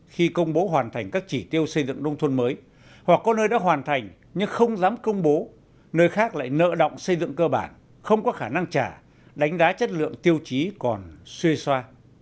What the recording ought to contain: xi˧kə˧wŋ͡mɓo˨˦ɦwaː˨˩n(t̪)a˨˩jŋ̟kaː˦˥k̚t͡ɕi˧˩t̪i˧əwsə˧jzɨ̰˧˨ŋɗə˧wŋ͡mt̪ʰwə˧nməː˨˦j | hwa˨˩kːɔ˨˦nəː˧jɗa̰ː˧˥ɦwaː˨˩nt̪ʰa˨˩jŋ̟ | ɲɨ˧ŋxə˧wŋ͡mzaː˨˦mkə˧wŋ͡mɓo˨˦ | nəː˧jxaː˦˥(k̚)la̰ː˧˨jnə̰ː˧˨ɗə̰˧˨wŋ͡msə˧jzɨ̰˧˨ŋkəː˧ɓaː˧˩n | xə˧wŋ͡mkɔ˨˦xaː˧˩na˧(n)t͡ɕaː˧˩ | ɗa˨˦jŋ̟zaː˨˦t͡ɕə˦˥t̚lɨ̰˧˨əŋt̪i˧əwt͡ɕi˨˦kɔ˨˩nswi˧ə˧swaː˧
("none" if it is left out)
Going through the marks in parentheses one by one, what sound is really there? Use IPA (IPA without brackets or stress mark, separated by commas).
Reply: t̪ʰ, k̚, ŋ